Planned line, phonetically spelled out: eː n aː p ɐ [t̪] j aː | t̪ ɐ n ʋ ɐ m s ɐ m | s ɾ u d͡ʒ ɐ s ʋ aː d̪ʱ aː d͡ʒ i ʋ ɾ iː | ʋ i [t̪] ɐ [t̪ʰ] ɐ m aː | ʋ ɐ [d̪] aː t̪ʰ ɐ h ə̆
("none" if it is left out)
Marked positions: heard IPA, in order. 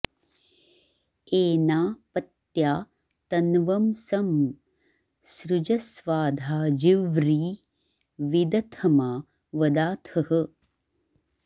t̪, d̪, t̪ʰ, d̪

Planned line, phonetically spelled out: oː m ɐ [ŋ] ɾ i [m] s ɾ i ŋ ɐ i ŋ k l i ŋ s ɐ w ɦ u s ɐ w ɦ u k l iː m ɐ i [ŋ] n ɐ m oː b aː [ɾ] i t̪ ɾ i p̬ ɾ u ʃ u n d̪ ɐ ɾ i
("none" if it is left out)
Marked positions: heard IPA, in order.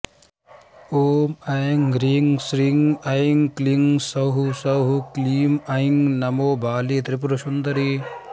ŋ, ŋ, ŋ, l

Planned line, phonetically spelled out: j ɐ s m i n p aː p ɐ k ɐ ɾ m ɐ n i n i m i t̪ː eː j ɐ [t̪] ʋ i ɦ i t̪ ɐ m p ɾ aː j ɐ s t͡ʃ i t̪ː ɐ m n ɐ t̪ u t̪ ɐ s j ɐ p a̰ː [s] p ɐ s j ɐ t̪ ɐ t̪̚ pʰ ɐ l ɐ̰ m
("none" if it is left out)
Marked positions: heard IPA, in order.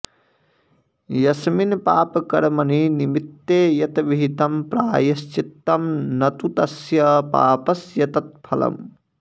t̪, none

